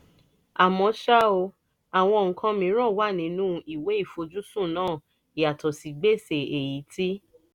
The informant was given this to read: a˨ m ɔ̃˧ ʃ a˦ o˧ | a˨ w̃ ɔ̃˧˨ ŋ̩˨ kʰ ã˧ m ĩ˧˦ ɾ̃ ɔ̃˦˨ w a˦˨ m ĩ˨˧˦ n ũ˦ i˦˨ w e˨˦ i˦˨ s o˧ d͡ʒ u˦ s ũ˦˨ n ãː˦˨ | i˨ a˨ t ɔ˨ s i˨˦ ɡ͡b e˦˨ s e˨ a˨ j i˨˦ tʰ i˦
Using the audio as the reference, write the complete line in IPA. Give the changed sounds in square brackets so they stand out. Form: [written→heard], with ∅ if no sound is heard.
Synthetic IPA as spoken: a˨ m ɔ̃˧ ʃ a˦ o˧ | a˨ w̃ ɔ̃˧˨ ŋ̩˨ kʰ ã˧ m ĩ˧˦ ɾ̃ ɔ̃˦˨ w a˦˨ [m→n] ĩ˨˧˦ n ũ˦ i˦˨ w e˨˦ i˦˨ [s→f] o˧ d͡ʒ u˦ s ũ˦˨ n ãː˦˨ | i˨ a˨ t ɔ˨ s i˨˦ ɡ͡b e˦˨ s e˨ [a˨→e˨] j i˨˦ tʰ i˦